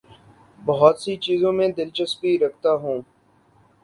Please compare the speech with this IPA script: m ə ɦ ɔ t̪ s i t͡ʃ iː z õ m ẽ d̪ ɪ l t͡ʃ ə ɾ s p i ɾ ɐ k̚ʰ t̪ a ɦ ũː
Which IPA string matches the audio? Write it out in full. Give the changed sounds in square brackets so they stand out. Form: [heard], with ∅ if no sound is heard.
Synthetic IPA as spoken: [b] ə ɦ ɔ t̪ s i t͡ʃ iː z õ m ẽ d̪ ɪ l t͡ʃ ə [∅] s p i ɾ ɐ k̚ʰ t̪ a ɦ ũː